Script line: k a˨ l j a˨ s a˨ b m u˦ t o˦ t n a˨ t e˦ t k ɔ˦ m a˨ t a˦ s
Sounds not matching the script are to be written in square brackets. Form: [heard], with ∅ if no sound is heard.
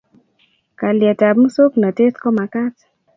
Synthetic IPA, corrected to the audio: k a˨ l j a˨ [t] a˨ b m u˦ [s] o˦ [k] n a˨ t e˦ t k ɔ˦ m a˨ [k] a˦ [t]